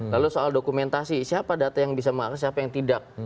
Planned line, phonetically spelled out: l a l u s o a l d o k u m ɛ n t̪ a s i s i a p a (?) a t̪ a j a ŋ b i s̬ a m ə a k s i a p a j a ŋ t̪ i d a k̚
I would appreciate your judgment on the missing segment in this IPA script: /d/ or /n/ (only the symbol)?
d